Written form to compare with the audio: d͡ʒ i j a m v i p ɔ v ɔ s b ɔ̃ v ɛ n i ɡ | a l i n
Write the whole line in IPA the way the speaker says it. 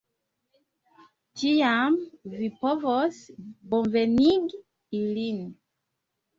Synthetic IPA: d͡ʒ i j a m v i p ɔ v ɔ s b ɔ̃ v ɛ n i ɡ | i l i n